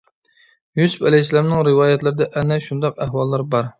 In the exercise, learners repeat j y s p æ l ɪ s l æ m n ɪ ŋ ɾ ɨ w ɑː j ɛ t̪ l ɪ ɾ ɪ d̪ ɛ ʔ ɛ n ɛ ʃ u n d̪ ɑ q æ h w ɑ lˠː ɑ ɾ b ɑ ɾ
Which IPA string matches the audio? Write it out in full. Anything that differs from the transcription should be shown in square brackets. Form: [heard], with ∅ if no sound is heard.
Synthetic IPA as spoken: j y s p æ l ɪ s l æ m n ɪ ŋ ɾ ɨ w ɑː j ɛ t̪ l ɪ ɾ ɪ d̪ ɛ ʔ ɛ n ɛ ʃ u n d̪ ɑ q æ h w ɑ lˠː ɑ ɾ b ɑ ɾ